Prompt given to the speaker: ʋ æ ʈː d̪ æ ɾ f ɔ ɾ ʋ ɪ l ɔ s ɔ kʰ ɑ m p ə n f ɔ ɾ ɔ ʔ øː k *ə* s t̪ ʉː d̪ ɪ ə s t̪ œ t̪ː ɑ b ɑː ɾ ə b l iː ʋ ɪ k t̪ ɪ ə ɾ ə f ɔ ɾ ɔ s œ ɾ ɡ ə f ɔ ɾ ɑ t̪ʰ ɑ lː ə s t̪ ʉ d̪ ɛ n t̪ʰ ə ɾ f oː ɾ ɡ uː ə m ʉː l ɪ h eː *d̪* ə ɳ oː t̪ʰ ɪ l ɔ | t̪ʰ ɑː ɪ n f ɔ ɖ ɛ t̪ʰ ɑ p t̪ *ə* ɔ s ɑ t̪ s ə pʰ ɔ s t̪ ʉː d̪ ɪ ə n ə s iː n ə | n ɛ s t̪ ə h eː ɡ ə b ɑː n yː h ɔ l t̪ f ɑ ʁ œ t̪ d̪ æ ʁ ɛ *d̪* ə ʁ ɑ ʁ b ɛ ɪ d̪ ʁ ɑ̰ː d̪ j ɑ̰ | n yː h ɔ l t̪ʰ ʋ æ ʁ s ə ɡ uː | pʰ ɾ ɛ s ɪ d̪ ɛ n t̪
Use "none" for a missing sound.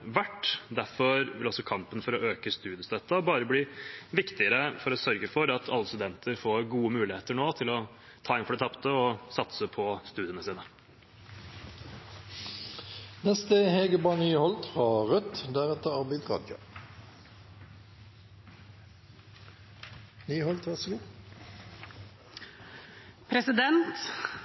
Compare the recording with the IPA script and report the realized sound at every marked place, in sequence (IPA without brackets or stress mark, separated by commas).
ə, t̪, ə, t̪